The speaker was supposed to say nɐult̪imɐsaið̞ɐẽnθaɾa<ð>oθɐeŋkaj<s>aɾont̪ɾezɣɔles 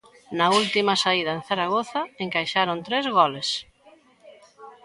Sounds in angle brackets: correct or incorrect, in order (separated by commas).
incorrect, incorrect